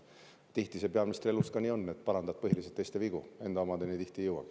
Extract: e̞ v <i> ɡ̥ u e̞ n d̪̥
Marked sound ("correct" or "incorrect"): correct